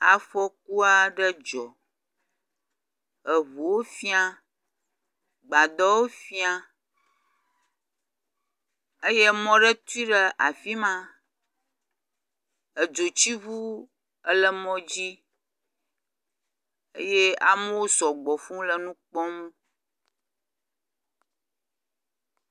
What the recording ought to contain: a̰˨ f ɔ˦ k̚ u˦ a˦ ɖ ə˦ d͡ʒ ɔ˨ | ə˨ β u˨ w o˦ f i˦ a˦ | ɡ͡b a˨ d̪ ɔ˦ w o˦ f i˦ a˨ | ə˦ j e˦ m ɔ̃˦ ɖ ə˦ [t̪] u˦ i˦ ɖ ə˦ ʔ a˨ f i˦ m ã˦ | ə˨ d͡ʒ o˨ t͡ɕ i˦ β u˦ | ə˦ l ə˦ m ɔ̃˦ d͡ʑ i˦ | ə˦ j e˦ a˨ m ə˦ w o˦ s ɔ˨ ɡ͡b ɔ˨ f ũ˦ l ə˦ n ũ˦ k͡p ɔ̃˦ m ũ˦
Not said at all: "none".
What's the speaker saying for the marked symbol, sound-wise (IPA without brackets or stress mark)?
t̪